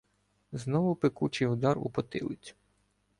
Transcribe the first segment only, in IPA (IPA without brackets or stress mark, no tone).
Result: z